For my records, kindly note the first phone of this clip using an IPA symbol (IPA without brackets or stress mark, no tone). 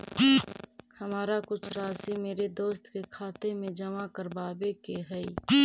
h